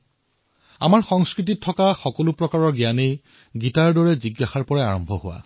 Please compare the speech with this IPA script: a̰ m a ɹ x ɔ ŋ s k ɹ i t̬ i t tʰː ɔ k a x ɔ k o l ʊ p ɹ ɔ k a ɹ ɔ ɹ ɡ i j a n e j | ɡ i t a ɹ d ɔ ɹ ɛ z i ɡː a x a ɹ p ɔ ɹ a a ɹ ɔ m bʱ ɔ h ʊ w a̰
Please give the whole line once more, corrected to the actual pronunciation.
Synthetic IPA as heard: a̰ m a ɹ x ɔ ŋ s k ɹ i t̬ i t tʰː ɔ k a x ɔ k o l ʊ p ɹ ɔ k a ɹ ɔ ɹ ɡ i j a n e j | ɡ i t a ɹ d ɔ ɹ ɛ z i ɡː a x a ɹ p ɔ ɹ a a ɹ ɔ m bʱ ɔ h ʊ w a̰

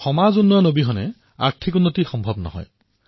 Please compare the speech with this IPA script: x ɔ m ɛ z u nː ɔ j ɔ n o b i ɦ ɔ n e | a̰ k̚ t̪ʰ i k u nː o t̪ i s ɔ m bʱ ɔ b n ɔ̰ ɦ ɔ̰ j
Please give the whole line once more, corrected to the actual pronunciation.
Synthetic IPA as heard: x ɔ m a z u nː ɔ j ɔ n o b i ɦ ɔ n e | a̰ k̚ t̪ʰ i k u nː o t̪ i x ɔ m bʱ ɔ b n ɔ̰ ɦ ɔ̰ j

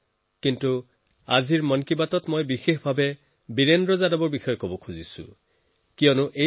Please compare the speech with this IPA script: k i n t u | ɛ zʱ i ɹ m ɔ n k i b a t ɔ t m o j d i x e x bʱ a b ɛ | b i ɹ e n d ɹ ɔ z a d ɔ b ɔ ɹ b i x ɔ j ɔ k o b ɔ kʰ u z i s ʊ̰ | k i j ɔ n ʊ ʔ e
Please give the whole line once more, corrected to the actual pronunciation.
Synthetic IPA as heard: k i n t u | a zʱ i ɹ m ɔ n k i b a t ɔ t m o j b i x e x bʱ a b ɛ | b i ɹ e n d ɹ ɔ z a d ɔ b ɔ ɹ b i x ɔ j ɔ k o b ɔ kʰ u z i s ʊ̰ | k i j ɔ n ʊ ʔ e

